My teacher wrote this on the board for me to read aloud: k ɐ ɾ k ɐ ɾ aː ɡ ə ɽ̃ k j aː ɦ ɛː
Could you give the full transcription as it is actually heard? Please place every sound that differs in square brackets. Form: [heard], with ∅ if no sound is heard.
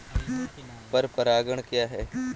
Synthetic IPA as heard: [p] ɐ ɾ [p] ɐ ɾ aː ɡ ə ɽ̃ k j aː ɦ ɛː